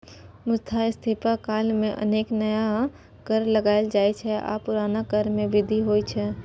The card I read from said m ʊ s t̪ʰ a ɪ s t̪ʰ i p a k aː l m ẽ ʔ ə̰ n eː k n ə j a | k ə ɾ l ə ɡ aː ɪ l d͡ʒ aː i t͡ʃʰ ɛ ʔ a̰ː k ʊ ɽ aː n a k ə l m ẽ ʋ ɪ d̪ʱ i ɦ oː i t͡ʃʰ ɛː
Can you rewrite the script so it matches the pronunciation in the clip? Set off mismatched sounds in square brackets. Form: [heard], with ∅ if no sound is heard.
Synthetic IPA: m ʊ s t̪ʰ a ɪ s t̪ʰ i p a k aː l m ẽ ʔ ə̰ n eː k n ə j a | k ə ɾ l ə ɡ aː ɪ l d͡ʒ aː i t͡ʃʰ ɛ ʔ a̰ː [p] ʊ [ɾ] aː n a k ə [ɾ] m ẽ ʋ ɪ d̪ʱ i ɦ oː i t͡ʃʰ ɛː